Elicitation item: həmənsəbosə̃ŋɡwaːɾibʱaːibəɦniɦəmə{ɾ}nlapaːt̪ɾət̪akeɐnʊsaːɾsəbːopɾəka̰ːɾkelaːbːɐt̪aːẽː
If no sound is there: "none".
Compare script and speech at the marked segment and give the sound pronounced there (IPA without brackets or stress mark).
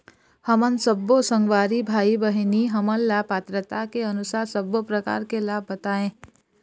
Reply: none